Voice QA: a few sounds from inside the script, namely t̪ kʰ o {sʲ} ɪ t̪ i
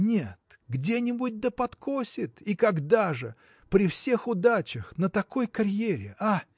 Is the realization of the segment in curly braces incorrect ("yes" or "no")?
no